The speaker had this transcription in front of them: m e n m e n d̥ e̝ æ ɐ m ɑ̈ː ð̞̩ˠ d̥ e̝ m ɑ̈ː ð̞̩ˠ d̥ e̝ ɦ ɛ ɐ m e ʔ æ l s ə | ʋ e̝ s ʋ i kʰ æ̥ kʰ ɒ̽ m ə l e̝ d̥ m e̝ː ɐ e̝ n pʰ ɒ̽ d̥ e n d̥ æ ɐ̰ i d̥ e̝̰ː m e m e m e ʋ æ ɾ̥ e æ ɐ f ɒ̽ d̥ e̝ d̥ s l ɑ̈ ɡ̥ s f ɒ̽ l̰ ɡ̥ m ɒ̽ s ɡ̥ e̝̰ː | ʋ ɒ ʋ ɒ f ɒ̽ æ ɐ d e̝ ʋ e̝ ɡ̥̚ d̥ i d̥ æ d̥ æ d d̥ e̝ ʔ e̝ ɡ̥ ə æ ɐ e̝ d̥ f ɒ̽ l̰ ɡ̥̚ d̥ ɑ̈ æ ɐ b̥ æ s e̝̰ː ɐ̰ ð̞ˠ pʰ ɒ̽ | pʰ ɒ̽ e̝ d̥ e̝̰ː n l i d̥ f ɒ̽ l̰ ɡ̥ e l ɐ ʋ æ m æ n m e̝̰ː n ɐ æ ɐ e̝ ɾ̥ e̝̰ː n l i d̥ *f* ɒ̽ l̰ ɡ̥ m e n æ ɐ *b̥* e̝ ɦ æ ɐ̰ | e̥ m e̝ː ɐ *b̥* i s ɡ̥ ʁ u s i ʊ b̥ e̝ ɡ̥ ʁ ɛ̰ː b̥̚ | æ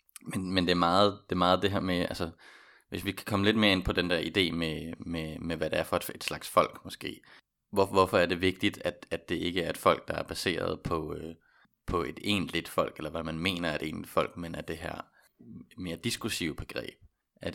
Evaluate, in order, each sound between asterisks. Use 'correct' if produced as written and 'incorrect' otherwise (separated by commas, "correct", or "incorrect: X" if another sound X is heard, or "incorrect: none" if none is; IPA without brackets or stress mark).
correct, incorrect: d̥, incorrect: d̥